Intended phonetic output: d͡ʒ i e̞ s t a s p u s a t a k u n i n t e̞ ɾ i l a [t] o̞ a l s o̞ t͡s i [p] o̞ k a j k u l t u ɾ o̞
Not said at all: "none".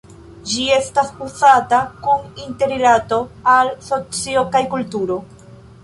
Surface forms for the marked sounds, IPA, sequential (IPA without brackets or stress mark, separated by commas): t, none